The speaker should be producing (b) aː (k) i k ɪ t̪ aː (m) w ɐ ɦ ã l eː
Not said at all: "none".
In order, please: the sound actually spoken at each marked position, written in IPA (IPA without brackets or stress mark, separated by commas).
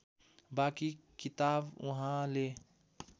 b, k, b